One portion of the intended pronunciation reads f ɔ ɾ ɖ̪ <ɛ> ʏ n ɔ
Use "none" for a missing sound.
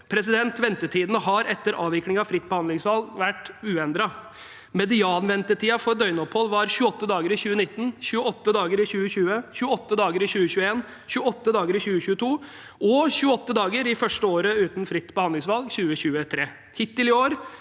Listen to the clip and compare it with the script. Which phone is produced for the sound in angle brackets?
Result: œ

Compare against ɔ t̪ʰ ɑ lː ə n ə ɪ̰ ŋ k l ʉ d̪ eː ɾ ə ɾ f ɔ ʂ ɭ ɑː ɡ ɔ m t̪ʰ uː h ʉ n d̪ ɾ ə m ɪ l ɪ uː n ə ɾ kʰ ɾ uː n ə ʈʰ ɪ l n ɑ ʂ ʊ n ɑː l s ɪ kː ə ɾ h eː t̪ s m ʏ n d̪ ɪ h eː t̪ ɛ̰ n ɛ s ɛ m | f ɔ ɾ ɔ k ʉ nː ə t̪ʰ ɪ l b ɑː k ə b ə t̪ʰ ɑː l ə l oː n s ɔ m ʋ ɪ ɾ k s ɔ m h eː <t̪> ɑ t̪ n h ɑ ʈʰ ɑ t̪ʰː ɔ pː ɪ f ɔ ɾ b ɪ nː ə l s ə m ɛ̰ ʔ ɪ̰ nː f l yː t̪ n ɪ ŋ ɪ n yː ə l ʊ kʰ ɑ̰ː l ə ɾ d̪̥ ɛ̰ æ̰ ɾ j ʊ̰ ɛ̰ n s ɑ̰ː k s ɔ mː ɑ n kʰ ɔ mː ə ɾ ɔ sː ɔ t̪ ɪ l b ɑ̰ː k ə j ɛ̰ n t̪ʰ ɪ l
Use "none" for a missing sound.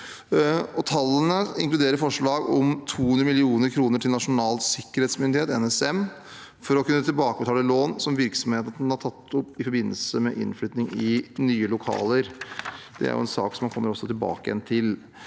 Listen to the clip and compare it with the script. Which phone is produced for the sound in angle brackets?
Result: t̪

